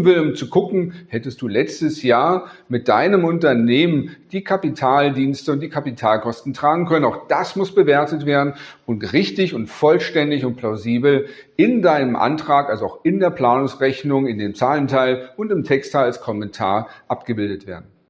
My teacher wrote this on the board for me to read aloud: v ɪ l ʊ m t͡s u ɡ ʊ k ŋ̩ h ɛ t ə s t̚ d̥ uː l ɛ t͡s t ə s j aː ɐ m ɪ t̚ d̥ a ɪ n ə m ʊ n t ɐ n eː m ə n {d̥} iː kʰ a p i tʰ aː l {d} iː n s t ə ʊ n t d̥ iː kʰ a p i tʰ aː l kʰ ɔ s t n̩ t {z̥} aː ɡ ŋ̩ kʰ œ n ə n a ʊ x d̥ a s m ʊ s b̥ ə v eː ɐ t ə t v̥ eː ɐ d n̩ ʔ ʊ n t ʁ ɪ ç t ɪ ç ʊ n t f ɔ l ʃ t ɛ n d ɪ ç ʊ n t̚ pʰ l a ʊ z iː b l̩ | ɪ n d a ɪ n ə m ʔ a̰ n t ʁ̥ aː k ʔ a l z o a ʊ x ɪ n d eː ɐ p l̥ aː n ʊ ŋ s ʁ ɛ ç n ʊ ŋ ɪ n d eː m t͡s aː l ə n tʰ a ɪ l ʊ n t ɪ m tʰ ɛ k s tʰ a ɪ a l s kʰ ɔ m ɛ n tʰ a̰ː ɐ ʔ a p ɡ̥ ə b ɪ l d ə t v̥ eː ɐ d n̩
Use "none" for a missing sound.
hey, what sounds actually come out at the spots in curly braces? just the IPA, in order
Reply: d̥, d, ʁ̥

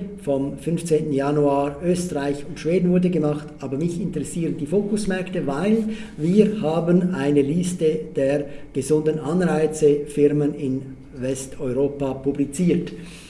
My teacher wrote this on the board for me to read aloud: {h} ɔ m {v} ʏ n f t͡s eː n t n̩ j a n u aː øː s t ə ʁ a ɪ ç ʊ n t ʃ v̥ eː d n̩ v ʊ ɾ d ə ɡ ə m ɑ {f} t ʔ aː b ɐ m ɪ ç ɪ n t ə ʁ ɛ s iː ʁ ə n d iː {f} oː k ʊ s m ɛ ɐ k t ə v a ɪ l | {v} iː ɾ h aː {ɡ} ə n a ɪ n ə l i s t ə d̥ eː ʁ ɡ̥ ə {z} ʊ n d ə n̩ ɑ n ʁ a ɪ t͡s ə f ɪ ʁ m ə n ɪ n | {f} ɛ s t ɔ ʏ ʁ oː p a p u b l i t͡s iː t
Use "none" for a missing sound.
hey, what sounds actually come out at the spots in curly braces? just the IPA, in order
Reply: f, f, χ, f, v, b, z, v

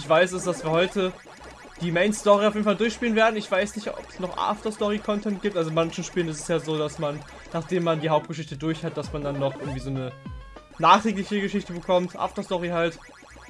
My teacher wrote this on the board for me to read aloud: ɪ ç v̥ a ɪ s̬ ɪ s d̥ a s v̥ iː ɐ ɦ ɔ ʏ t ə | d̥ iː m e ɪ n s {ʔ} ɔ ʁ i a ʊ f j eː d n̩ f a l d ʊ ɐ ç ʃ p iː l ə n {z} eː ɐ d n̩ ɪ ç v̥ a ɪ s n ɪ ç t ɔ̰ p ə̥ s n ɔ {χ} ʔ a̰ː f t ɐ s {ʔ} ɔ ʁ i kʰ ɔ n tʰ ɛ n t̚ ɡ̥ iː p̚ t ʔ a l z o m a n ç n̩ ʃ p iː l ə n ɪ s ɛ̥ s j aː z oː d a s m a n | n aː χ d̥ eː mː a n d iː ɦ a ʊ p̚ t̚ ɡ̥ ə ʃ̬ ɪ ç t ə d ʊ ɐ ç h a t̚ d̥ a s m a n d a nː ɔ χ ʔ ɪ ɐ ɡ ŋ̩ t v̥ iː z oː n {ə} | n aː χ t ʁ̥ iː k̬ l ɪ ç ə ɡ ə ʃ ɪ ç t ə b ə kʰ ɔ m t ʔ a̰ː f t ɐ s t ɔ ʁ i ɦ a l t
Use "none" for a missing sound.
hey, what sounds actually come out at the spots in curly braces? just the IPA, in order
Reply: t, v, χ, t, ə

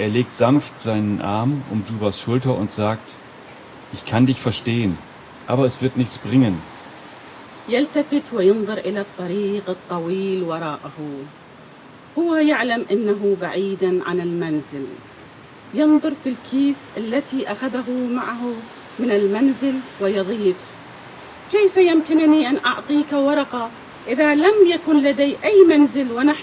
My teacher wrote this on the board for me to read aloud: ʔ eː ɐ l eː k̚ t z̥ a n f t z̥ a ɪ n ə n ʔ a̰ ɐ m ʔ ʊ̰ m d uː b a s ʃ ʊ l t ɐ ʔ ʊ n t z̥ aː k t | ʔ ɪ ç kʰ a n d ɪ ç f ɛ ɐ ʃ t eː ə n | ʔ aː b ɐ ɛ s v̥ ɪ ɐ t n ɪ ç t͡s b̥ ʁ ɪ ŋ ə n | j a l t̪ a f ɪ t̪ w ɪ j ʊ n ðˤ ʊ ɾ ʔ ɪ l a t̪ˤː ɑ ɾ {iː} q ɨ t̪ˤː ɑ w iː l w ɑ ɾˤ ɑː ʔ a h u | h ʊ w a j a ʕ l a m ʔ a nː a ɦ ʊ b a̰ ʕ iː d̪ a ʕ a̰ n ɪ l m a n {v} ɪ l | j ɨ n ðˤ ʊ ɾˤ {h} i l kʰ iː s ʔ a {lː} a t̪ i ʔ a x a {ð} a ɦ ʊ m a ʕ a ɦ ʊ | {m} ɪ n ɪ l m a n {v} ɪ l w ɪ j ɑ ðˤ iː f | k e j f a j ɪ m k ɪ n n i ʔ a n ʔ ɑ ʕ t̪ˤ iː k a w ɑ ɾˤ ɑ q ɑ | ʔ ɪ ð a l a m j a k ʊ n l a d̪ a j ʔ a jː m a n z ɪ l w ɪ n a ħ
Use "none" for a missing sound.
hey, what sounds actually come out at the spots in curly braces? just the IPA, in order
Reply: iː, z, f, lː, ð, m, z

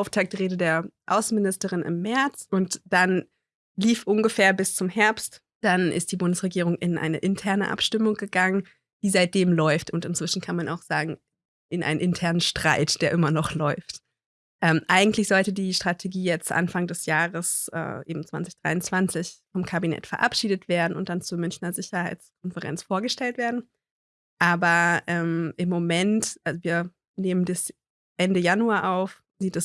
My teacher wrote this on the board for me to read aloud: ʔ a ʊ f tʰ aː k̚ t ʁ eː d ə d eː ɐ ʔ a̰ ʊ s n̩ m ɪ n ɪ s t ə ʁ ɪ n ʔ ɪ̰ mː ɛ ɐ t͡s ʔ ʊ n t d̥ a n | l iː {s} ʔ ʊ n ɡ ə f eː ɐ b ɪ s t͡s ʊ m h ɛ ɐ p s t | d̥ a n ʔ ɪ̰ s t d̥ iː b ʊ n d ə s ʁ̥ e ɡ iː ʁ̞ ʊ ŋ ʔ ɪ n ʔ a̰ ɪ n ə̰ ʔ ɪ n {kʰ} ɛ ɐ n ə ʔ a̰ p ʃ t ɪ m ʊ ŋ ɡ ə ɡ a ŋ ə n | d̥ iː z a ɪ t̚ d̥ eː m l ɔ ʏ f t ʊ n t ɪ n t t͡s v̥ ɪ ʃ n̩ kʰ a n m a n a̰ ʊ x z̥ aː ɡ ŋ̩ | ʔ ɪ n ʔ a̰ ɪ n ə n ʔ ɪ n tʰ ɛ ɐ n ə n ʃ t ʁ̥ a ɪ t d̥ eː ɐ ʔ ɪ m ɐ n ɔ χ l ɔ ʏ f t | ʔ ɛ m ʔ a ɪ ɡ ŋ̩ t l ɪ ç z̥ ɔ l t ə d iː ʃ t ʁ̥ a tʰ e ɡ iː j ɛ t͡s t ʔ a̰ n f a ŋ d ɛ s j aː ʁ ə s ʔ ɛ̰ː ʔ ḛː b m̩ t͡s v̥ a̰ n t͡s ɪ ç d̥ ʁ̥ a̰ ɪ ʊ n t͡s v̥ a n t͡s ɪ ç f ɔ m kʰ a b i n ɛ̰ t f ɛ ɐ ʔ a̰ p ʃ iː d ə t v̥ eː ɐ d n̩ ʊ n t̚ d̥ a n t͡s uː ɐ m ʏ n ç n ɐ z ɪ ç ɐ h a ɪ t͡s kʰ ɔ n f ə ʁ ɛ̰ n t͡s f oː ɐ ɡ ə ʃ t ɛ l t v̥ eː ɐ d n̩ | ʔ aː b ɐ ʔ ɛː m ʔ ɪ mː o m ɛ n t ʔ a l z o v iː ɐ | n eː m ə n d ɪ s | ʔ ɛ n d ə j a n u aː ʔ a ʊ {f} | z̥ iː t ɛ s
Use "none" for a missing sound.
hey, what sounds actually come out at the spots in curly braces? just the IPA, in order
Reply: f, tʰ, f

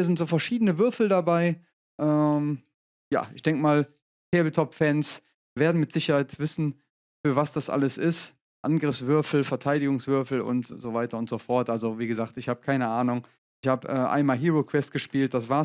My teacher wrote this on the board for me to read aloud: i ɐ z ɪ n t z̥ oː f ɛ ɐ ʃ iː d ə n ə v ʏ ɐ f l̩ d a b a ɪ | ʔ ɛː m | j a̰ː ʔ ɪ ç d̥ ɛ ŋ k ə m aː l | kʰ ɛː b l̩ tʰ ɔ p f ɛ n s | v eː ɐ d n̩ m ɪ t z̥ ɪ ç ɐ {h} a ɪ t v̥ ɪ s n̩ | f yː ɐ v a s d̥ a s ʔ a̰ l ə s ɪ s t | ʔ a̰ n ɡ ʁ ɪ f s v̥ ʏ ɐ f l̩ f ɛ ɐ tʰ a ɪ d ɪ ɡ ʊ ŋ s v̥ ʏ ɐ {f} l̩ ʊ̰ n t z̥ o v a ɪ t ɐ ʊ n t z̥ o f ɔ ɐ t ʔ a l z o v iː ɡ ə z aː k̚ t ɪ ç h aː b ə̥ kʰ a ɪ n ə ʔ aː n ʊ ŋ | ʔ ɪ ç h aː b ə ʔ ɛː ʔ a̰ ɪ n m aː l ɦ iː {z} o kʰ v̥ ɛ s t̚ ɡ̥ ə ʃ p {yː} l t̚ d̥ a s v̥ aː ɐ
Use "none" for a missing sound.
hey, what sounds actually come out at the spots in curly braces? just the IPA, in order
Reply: h, f, ʁ, iː

